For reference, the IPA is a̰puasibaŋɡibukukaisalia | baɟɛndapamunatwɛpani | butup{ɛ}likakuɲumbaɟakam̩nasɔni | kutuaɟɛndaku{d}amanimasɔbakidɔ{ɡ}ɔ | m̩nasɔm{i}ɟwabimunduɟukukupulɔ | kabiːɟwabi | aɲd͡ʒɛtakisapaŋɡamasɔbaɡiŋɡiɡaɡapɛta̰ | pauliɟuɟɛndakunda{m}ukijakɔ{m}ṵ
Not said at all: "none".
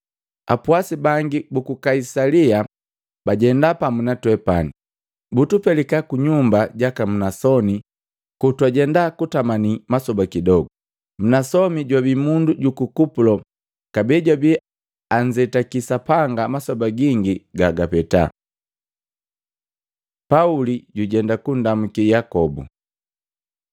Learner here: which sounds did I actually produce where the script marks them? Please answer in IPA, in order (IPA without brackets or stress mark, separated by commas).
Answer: ɛ, t, ɡ, i, m, b